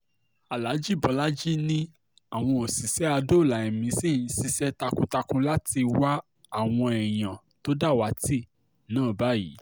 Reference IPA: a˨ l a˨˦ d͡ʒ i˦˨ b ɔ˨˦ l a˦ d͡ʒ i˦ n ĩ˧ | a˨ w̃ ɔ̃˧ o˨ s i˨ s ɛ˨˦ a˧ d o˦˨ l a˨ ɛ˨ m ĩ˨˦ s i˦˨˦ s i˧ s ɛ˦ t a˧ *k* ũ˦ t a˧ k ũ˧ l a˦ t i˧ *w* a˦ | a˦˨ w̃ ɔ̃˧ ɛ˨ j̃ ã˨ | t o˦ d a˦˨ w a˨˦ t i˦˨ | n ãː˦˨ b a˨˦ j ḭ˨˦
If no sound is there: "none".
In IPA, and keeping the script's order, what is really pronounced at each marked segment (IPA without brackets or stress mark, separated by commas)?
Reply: k, w